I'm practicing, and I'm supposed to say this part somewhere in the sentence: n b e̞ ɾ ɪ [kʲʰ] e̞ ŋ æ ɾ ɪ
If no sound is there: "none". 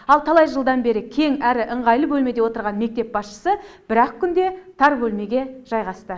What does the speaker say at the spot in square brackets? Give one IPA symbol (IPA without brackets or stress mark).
kʲʰ